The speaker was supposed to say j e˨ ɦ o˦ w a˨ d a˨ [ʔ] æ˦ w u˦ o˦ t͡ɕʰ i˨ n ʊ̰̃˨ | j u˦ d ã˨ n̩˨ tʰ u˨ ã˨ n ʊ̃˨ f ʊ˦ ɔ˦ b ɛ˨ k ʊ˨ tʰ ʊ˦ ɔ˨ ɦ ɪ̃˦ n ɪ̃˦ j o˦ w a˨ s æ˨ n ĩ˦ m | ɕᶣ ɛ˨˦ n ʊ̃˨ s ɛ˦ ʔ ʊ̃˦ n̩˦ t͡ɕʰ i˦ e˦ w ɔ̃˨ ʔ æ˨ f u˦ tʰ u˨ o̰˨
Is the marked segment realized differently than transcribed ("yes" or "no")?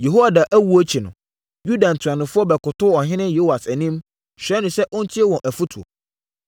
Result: no